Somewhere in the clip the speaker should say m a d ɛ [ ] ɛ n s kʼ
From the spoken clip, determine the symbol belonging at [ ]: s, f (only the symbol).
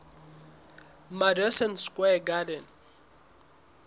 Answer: s